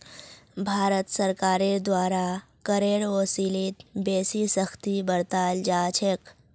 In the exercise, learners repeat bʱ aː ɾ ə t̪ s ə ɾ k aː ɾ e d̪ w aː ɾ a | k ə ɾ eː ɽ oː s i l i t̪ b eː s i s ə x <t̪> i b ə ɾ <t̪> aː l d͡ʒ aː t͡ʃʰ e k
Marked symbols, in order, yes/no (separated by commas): yes, yes